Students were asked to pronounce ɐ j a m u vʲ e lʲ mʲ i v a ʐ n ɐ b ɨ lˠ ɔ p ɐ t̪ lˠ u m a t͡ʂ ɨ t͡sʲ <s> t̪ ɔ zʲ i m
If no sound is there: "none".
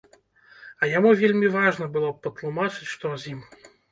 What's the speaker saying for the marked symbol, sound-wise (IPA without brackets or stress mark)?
ʂ